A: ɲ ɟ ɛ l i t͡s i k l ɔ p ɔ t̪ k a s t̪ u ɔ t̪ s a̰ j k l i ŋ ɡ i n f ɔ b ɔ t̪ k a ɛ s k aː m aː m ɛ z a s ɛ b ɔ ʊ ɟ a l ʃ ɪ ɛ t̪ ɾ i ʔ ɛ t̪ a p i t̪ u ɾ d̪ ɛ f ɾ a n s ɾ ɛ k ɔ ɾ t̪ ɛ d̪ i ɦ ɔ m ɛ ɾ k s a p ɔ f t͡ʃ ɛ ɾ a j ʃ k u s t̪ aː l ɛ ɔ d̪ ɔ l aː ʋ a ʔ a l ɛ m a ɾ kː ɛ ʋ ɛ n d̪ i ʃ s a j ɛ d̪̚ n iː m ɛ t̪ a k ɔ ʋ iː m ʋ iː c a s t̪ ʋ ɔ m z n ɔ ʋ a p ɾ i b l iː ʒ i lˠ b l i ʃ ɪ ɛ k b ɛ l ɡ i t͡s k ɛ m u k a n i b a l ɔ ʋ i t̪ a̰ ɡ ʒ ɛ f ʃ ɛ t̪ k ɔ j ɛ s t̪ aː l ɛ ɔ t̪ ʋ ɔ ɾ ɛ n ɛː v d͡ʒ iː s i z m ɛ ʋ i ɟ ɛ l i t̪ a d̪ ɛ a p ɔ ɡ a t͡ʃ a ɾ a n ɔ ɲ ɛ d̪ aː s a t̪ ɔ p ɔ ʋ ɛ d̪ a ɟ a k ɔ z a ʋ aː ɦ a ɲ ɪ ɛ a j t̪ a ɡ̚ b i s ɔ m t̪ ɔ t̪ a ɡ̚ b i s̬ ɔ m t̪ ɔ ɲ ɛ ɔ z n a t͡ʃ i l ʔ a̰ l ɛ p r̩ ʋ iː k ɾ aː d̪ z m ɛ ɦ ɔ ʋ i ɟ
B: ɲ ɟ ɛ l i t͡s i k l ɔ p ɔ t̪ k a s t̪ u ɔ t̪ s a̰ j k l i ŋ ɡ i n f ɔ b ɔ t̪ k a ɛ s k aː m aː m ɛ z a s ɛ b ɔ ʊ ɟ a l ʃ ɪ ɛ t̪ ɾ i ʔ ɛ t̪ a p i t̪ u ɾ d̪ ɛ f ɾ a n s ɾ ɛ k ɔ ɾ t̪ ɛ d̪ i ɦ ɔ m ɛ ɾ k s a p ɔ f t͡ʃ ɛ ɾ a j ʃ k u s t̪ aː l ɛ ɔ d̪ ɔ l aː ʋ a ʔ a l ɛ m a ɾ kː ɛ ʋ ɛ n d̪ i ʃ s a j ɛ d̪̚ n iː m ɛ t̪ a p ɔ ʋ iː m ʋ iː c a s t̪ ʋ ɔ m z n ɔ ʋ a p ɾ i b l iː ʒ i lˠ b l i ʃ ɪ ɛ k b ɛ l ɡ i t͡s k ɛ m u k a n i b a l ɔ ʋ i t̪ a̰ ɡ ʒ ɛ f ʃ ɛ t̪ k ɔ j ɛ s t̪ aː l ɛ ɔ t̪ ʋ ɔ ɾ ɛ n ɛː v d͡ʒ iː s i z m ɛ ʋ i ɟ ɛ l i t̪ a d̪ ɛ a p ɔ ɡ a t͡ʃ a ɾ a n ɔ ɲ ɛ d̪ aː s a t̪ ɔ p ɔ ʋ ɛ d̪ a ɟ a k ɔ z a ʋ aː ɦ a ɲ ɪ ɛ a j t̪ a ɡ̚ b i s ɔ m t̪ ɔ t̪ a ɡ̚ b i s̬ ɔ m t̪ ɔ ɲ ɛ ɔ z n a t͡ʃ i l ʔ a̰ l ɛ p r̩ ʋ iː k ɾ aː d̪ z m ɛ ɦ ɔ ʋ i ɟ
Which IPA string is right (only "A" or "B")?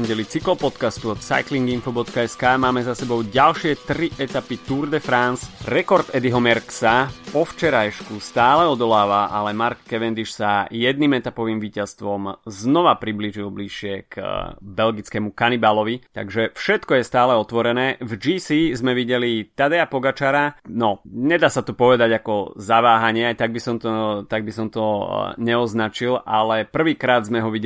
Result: B